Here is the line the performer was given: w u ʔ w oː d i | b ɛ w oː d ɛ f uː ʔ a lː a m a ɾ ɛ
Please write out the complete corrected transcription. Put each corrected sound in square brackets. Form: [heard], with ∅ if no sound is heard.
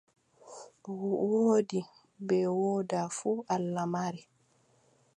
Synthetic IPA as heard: w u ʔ w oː d i | b ɛ w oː d [a] f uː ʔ a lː a m a ɾ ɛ